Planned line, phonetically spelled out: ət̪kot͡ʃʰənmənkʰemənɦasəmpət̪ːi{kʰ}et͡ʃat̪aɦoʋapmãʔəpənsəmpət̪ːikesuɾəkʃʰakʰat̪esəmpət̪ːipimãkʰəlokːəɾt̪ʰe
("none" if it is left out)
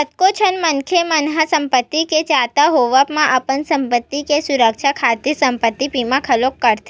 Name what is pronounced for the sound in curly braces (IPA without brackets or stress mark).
k